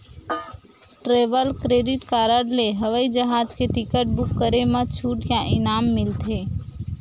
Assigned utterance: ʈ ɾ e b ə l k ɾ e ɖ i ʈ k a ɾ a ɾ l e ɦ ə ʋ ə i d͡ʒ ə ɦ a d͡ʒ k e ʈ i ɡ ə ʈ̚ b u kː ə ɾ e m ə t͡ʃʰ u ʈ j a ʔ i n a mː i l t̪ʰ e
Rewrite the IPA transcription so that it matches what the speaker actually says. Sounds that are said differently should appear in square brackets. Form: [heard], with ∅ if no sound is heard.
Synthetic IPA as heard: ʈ ɾ e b ə l k ɾ e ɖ i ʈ k a ɾ [ə] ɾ l e ɦ ə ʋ ə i d͡ʒ ə ɦ a d͡ʒ k e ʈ i [k] ə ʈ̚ b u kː ə ɾ e m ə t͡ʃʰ u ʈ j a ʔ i n a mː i l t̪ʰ e